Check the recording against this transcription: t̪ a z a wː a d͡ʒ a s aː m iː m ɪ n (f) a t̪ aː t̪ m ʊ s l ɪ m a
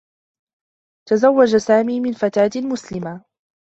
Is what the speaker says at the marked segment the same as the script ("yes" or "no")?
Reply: yes